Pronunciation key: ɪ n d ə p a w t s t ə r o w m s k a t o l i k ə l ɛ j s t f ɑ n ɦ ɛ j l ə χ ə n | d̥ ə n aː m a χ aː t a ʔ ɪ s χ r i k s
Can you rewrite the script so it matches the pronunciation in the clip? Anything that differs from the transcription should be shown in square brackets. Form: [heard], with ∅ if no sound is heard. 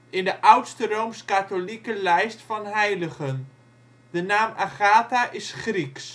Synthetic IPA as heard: ɪ n d ə [ʔ] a w t s t ə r o w m s k a t o l i k ə l ɛ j s t f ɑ n ɦ ɛ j l ə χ ə n | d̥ ə n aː m a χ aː t a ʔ ɪ s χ r i k s